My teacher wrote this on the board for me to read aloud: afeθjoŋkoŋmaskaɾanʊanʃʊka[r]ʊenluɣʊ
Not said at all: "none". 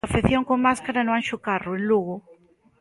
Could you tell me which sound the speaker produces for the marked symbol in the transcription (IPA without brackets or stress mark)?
r